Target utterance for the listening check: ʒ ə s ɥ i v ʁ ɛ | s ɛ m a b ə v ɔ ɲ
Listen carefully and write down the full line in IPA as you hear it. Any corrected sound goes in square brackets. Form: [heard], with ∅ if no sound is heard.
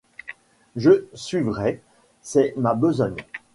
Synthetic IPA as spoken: ʒ ə s ɥ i v ʁ ɛ | s ɛ m a b ə [z] ɔ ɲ